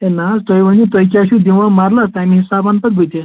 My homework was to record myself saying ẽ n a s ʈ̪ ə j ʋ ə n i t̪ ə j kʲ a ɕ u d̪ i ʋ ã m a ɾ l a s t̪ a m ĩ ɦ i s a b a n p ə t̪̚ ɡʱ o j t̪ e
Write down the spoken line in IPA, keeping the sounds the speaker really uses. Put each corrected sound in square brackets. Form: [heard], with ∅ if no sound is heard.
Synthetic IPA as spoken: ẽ n a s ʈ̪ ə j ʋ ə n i t̪ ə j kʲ a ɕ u d̪ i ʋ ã m a ɾ l a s t̪ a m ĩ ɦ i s a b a n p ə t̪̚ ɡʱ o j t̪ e